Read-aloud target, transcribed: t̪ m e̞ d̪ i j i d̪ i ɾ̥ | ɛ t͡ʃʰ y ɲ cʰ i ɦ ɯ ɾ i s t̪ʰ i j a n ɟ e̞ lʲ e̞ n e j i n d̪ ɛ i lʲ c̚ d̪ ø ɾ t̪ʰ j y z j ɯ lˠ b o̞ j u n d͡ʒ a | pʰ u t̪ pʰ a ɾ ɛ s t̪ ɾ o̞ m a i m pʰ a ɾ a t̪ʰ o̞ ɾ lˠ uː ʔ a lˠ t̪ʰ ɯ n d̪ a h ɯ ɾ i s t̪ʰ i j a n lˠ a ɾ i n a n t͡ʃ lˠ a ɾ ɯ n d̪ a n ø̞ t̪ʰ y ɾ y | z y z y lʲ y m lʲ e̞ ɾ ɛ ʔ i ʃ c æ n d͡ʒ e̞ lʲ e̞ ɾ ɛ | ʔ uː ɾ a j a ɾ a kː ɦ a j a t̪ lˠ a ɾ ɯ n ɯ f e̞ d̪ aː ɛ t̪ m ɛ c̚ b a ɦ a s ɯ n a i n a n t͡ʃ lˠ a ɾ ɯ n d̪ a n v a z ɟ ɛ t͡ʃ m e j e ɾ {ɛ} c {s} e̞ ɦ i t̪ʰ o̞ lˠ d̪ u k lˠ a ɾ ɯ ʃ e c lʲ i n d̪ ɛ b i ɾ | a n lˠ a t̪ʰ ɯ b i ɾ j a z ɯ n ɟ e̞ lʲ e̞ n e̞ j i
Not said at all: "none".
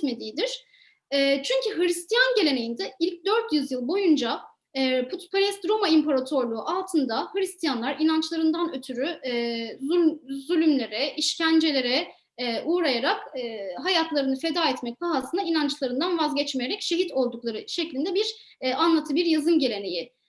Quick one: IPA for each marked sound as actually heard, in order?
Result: ɛ, ʃ

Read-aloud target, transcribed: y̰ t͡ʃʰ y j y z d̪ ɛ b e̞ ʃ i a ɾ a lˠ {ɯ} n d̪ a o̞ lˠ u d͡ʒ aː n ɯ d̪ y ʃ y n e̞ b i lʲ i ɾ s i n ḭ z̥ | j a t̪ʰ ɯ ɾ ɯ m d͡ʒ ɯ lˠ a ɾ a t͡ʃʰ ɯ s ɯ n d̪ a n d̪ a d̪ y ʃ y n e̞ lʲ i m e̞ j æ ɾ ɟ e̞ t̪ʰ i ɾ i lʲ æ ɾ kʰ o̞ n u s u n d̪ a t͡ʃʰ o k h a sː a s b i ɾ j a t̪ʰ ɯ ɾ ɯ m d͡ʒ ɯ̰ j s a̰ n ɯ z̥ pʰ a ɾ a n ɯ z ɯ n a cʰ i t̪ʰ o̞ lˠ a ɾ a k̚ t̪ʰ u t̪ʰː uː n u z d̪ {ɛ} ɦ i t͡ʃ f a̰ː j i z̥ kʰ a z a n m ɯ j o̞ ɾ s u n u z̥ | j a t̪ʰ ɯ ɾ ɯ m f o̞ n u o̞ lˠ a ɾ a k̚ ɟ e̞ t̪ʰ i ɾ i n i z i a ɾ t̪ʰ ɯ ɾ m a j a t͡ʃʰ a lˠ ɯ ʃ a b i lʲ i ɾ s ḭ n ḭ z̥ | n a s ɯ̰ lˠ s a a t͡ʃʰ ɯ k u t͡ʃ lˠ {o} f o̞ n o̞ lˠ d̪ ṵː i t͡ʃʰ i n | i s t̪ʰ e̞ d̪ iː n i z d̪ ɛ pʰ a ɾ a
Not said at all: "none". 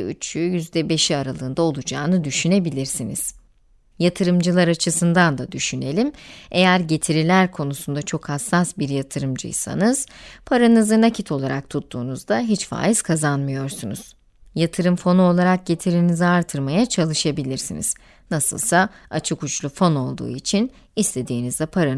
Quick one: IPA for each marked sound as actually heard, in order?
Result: ɯː, a, u

